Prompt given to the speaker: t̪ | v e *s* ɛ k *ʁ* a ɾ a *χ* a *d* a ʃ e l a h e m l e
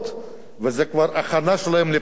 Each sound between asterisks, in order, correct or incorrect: incorrect: z, incorrect: v, correct, incorrect: n

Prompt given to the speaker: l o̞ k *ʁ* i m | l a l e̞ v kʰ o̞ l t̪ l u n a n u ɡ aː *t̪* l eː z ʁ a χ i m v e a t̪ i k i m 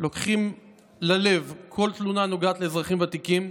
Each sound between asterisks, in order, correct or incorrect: incorrect: χ, correct

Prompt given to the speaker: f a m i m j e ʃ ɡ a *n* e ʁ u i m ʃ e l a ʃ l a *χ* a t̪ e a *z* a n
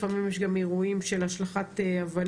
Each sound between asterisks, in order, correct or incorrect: incorrect: m, correct, incorrect: v

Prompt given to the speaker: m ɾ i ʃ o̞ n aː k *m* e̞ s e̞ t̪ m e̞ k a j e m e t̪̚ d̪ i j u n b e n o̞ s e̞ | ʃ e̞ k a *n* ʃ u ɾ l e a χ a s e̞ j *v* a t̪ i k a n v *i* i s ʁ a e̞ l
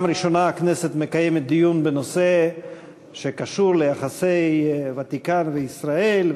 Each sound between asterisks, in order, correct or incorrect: incorrect: n, incorrect: none, correct, incorrect: e

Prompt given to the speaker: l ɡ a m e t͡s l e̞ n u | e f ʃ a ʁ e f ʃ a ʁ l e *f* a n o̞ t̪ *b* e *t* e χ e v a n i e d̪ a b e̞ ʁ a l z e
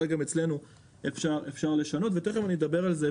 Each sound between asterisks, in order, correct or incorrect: incorrect: ʃ, incorrect: v, correct

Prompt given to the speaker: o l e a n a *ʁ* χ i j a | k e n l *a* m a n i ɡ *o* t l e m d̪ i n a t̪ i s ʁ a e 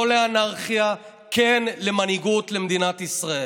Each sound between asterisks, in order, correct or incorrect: correct, incorrect: e, incorrect: u

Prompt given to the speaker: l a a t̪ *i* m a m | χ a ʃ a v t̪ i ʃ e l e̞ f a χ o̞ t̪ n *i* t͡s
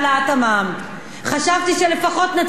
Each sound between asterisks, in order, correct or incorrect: incorrect: a, incorrect: a

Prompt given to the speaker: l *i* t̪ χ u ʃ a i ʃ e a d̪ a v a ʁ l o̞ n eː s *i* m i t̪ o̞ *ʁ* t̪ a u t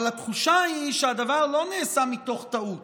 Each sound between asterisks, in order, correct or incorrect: incorrect: a, incorrect: a, incorrect: χ

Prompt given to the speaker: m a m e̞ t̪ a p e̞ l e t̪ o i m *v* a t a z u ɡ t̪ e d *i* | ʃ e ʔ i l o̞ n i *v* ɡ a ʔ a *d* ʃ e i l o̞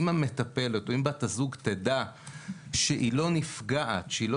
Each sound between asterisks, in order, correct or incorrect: incorrect: b, incorrect: a, incorrect: f, incorrect: t

